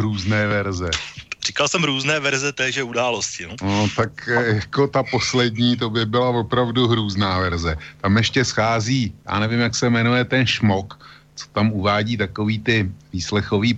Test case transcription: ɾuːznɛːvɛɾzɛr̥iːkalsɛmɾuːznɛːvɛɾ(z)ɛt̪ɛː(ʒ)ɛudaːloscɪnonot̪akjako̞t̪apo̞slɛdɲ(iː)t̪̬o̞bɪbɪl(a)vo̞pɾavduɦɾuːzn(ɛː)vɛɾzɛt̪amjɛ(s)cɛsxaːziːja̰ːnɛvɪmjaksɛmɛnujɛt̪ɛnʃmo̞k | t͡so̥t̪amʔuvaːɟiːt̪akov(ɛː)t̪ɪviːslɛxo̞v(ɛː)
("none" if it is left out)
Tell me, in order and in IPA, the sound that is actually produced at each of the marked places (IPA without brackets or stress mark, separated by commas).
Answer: z, ʒ, iː, a, aː, ʃ, iː, iː